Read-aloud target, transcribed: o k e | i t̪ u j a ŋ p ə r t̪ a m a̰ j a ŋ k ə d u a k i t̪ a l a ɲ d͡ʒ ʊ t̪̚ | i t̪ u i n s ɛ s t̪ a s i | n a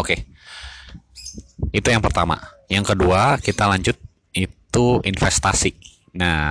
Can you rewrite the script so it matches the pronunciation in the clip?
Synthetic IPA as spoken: o k e | i t̪ u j a ŋ p ə r t̪ a m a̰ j a ŋ k ə d u a k i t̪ a l a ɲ d͡ʒ ʊ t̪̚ | i t̪ u i n f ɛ s t̪ a s i | n a